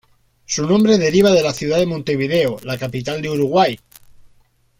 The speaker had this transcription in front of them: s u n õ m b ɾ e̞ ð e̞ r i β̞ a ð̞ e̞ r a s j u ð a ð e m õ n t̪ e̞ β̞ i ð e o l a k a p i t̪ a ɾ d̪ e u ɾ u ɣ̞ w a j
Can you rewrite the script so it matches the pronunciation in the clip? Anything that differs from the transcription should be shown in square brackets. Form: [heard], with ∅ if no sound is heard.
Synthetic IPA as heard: s u n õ m b ɾ e̞ ð e̞ [ɾ] i β̞ a ð̞ e̞ [l] a [θ] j u ð a ð e m õ n t̪ e̞ β̞ i ð e o l a k a p i t̪ a [l] d̪ e u ɾ u ɣ̞ w a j